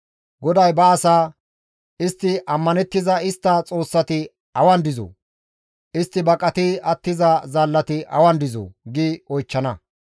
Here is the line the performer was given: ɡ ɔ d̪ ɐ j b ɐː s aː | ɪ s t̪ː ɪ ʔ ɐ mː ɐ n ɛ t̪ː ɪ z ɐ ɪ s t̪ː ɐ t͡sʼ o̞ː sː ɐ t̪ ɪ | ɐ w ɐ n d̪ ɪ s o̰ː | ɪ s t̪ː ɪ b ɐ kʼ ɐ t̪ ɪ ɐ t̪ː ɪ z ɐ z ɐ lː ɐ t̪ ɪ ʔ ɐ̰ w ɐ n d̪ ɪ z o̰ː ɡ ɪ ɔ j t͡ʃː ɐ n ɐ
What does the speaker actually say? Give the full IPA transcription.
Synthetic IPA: ɡ ɔ d̪ ɐ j b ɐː s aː | ɪ s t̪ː ɪ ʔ ɐ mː ɐ n ɛ t̪ː ɪ z ɐ ɪ s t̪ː ɐ t͡sʼ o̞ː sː ɐ t̪ ɪ | ɐ w ɐ n d̪ ɪ z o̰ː | ɪ s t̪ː ɪ b ɐ kʼ ɐ t̪ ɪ ɐ t̪ː ɪ z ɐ z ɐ lː ɐ t̪ ɪ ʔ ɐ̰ w ɐ n d̪ ɪ z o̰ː ɡ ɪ ɔ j t͡ʃː ɐ n ɐ